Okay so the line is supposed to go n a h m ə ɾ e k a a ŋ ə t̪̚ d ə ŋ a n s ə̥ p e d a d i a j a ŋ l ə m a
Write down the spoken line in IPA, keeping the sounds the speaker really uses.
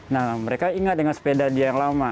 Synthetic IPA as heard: n a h m ə ɾ e k a i ŋ a t̪̚ d ə ŋ a n s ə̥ p e d a d i a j a ŋ l a m a